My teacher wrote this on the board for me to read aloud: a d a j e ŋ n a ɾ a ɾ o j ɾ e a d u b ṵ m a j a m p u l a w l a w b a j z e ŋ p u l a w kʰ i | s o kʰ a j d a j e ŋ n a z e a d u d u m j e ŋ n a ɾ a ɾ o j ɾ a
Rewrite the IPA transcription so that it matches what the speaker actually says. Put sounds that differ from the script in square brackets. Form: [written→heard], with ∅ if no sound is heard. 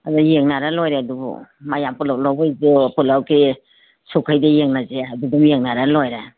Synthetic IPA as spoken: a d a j e ŋ n a ɾ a [ɾ→l] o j ɾ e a d u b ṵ m a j a m p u l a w l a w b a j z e [ŋ→∅] p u l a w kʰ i | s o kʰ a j d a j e ŋ n a z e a d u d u m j e ŋ n a ɾ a [ɾ→l] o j ɾ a

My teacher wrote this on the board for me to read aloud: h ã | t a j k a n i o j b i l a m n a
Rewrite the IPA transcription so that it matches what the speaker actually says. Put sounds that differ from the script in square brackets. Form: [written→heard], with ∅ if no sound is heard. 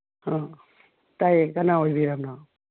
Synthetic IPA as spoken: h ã | t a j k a n [i→a] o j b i [l→ɾ] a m n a

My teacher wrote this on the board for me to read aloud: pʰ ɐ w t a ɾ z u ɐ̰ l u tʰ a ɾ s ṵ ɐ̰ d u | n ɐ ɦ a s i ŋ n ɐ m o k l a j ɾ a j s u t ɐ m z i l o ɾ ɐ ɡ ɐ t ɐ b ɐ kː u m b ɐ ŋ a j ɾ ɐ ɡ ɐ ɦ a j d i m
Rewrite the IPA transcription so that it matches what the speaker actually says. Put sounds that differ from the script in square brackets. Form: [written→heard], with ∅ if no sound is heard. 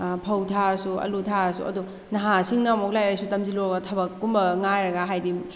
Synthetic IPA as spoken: pʰ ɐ w [t→tʰ] a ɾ [z→s] u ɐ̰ l u tʰ a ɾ s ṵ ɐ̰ d u | n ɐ ɦ a s i ŋ n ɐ m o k l a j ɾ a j s u t ɐ m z i l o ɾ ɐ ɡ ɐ [t→tʰ] ɐ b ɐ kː u m b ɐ ŋ a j ɾ ɐ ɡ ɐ ɦ a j d i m

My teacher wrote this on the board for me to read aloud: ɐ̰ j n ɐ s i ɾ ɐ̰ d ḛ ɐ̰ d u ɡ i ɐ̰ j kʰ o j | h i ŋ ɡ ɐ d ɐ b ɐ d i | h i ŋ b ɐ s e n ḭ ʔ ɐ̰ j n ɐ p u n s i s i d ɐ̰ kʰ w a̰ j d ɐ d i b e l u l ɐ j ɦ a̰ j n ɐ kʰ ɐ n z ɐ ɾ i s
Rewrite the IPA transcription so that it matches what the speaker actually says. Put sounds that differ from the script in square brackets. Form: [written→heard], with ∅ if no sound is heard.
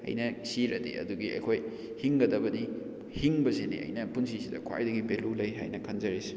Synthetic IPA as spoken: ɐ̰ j n ɐ s i ɾ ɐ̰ d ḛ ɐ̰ d u ɡ i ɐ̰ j kʰ o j | h i ŋ ɡ ɐ d ɐ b ɐ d i | h i ŋ b ɐ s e n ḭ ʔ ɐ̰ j n ɐ p u n s i s i d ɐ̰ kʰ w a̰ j d ɐ [d→ɡ] i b e l u l ɐ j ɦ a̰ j n ɐ kʰ ɐ n z ɐ ɾ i s

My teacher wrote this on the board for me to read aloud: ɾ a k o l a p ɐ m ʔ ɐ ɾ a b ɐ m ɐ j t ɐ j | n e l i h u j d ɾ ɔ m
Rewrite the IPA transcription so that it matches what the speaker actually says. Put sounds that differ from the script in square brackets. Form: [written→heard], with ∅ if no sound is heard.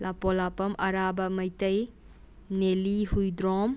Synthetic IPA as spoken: [ɾ→l] a [k→p] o l a p ɐ m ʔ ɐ ɾ a b ɐ m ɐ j t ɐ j | n e l i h u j d ɾ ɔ m

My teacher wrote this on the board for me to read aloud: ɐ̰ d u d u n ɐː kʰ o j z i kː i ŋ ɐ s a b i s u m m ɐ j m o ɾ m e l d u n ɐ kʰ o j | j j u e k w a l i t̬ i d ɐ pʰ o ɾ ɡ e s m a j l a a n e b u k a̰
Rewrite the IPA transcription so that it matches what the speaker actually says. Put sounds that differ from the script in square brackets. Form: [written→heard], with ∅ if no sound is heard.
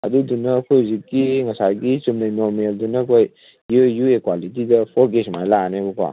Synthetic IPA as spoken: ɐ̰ d u d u n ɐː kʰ o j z i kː i ŋ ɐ s a [b→ɡ] i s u m [m→n] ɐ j [m→n] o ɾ m e l d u n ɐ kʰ o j | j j u e k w a l i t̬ i d ɐ pʰ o ɾ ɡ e s m a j l a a n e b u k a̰

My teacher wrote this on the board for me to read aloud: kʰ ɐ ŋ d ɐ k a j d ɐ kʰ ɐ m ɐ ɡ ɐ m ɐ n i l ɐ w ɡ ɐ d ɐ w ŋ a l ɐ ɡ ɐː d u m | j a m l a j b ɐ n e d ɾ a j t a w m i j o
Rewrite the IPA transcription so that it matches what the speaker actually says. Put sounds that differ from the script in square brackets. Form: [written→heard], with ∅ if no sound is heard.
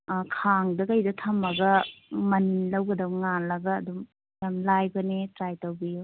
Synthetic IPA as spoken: kʰ [ɐ→a] ŋ d ɐ k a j d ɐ [kʰ→tʰ] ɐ m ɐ ɡ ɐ m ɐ n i l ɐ w ɡ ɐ d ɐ w ŋ a l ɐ ɡ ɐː d u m | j a m l a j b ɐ n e [d→t] ɾ a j t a w [m→b] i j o

